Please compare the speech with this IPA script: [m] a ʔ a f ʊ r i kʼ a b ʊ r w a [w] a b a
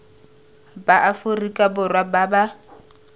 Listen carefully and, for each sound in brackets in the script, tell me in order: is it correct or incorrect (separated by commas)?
incorrect, incorrect